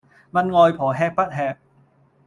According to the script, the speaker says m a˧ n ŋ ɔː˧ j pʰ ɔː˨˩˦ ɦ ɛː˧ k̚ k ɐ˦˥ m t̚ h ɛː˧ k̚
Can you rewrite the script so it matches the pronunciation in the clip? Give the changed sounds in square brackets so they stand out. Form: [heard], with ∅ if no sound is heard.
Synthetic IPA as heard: m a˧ n ŋ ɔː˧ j pʰ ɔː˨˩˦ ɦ ɛː˧ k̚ [p] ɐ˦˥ [∅] t̚ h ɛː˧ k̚